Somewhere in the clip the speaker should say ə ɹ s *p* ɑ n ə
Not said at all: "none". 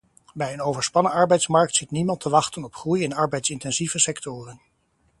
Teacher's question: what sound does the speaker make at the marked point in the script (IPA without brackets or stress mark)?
p